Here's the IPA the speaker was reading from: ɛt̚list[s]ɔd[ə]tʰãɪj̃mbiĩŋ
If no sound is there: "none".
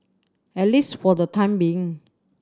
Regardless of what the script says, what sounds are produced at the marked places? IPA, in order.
f, ə

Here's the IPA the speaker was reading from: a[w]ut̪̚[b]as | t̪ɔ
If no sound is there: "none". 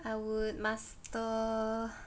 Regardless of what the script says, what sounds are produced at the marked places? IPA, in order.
w, m

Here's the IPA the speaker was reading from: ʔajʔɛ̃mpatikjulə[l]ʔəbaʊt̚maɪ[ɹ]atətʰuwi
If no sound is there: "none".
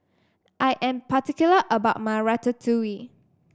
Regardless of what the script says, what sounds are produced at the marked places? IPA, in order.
none, ɹ

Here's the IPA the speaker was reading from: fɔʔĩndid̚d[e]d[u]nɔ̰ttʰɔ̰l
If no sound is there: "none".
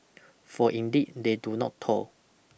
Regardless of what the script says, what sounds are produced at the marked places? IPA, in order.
e, u

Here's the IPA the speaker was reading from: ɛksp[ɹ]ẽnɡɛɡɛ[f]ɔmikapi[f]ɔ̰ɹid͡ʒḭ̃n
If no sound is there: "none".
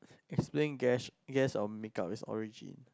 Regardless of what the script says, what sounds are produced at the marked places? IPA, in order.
l, s, s

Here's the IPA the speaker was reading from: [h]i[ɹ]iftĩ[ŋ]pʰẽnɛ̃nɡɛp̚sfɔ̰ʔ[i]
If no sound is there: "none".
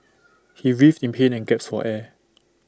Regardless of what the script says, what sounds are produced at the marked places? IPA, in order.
h, ɹ, n, ɛ

